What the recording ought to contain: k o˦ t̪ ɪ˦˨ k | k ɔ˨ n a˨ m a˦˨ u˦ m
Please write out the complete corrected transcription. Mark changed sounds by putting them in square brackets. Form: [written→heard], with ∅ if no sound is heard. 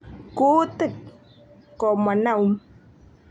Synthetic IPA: k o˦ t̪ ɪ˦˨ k | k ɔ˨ [n→m] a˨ [m→n] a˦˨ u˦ m

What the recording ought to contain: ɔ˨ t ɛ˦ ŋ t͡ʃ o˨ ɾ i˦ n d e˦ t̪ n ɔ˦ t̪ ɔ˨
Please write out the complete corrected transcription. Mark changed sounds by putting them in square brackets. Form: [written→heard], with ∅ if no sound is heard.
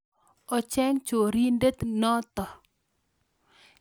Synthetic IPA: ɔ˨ [t→t͡ʃ] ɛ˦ ŋ t͡ʃ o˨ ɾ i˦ n d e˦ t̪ n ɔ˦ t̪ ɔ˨

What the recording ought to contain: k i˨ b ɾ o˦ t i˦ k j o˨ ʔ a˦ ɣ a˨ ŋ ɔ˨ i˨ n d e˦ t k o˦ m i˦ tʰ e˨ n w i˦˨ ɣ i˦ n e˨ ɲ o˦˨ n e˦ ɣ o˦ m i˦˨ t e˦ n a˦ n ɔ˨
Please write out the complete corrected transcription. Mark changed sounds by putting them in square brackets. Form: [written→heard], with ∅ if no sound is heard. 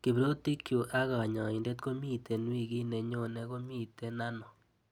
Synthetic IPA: k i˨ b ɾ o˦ t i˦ k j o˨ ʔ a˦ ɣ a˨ [ŋ→ɲ] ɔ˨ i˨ n d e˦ t k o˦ m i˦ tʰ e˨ n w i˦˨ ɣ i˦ n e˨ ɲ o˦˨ n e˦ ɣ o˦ m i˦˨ t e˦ n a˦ n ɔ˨

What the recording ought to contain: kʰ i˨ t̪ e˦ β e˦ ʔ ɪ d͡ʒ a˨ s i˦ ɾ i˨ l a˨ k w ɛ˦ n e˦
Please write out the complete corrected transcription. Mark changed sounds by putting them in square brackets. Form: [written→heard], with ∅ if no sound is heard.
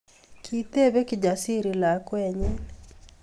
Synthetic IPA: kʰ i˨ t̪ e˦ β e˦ [ʔ→k] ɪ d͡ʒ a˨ s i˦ ɾ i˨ l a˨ k w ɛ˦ [n→ɲ] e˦

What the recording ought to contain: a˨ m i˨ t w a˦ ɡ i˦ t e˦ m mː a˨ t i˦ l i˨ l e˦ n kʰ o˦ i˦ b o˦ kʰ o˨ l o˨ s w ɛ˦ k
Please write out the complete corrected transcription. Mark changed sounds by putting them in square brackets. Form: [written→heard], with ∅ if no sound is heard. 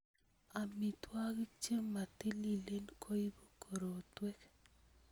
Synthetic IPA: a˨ m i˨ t w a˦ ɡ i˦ [t→t͡ʃ] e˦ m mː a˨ t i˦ l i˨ l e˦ n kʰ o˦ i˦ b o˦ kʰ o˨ [l→ɾ] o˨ [s→t] w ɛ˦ k

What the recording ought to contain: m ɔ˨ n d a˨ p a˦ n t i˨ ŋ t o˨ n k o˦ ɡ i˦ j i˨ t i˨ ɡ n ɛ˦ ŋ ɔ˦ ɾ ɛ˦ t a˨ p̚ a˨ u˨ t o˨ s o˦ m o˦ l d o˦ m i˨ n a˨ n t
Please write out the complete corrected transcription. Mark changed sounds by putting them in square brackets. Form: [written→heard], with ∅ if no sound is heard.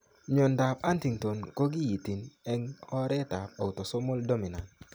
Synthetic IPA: [m→ɲ] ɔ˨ n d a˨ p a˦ n t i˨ ŋ t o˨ n k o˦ ɡ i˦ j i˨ t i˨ [ɡ→∅] n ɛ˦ ŋ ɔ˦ ɾ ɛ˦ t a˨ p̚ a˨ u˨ t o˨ s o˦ m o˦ l d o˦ m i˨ n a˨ n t

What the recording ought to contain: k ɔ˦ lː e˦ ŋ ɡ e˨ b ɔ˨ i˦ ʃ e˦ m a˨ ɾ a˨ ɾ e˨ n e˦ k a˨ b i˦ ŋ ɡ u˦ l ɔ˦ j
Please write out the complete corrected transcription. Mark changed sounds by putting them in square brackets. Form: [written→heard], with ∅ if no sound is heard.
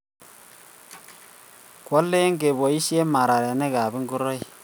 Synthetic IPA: k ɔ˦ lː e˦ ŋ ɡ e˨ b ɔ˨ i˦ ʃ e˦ m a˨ ɾ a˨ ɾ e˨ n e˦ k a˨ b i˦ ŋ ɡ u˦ [l→ɾ] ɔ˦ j

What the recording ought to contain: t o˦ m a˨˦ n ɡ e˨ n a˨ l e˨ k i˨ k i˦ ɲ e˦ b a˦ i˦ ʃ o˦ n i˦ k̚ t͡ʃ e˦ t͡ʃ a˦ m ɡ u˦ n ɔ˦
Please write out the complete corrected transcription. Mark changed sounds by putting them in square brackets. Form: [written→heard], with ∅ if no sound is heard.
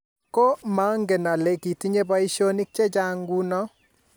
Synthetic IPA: [t→k] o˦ m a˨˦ [n→ŋ] ɡ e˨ n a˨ l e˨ k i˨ [k→t] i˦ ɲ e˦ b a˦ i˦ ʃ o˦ n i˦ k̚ t͡ʃ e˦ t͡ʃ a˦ [m→ŋ] ɡ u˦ n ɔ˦

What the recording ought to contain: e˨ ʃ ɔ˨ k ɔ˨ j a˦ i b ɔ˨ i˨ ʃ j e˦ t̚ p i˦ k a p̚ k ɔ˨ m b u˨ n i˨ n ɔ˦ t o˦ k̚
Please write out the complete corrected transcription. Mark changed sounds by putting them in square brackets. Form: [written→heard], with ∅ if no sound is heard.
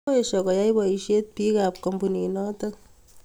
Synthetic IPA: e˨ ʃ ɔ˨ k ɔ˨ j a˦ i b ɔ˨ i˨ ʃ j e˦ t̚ p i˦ k a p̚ k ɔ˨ m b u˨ n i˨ n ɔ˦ t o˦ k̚

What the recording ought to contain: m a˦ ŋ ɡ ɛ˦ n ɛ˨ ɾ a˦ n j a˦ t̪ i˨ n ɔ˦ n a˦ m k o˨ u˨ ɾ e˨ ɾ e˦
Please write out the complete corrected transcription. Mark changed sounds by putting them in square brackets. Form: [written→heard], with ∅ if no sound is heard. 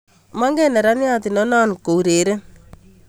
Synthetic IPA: m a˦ ŋ ɡ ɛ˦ n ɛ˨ ɾ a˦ n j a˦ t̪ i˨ n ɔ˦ n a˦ [m→n] k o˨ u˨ ɾ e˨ ɾ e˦

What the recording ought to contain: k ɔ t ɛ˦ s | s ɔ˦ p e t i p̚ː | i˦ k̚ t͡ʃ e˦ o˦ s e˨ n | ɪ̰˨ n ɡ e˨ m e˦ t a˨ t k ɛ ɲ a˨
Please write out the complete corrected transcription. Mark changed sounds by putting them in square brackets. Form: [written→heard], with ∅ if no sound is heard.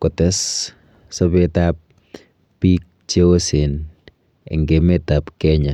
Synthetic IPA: k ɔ t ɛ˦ s | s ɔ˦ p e t [i→a] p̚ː | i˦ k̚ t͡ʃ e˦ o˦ s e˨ n | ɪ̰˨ [n→ŋ] ɡ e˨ m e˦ t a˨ [t→p] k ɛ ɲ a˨

